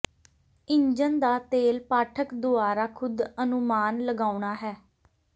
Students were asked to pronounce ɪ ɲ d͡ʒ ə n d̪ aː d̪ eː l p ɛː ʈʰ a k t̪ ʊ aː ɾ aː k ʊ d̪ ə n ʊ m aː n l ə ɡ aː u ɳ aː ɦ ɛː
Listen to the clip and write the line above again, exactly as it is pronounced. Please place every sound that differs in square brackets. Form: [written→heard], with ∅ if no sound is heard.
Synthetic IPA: ɪ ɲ d͡ʒ ə n d̪ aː [d̪→t̪] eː l p [ɛː→aː] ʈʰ [a→ə] k [t̪→d̪] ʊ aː ɾ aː [k→kʰ] ʊ d̪ ə n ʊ m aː n l ə ɡ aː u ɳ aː ɦ ɛː